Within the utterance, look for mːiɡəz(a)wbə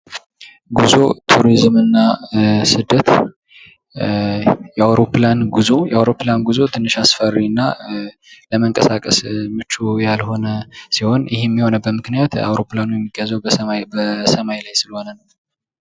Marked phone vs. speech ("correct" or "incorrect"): incorrect